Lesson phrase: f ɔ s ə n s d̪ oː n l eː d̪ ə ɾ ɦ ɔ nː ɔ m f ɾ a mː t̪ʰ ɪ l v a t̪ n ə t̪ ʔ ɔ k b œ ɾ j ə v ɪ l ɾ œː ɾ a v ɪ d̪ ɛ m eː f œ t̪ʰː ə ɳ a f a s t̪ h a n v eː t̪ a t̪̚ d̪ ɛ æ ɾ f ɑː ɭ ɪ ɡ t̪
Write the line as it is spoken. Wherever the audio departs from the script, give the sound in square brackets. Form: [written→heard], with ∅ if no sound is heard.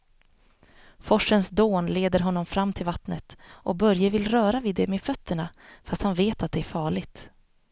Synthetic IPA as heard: f ɔ [s→ʂ] ə n s d̪ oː n l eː d̪ ə ɾ ɦ ɔ nː ɔ m f ɾ a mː t̪ʰ ɪ l v a t̪ n ə t̪ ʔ ɔ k b œ ɾ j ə v ɪ l ɾ œː ɾ a v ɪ d̪ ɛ m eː f œ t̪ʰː ə ɳ a f a s t̪ h a n v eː t̪ a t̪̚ d̪ ɛ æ ɾ f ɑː ɭ ɪ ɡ t̪